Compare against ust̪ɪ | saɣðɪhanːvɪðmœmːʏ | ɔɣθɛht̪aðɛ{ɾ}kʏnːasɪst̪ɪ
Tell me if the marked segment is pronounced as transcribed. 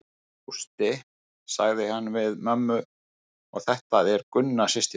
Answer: yes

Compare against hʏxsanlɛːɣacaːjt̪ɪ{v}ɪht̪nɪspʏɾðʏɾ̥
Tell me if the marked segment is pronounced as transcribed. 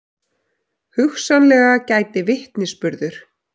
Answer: yes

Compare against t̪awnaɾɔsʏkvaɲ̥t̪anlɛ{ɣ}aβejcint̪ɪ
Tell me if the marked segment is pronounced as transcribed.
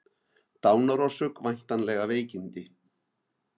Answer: yes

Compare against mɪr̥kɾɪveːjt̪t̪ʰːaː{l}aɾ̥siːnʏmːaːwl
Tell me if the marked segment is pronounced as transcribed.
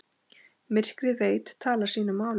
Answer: yes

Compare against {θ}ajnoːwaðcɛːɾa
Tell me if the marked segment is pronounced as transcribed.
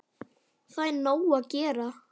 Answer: yes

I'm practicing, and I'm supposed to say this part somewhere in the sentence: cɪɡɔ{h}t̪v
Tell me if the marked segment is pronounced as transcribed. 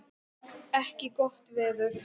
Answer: yes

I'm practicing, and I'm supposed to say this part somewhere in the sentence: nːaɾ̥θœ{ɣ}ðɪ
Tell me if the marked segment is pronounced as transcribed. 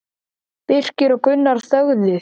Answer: yes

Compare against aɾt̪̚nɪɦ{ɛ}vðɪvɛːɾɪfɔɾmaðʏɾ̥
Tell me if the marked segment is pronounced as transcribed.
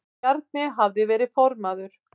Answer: no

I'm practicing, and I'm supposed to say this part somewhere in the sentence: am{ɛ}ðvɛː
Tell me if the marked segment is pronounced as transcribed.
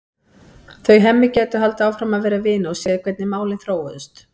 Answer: no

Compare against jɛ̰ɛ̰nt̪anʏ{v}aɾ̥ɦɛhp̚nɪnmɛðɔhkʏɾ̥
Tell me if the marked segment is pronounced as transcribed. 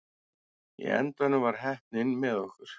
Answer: yes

